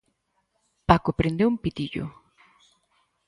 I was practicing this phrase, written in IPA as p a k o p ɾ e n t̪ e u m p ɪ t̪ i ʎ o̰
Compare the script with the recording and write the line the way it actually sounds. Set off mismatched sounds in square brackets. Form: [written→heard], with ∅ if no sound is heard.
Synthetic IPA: p a k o p ɾ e n [t̪→d̪] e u m p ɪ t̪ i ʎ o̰